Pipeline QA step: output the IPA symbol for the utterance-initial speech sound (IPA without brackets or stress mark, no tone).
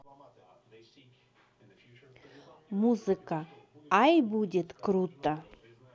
m